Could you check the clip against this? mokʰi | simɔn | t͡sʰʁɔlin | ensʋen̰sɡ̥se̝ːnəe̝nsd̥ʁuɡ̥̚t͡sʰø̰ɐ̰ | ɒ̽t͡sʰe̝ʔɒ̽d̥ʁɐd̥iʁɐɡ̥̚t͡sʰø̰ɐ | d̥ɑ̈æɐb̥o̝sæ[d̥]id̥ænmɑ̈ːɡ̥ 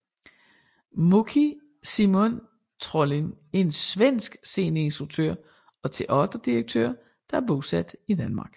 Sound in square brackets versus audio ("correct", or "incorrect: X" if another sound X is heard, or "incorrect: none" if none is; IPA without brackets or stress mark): correct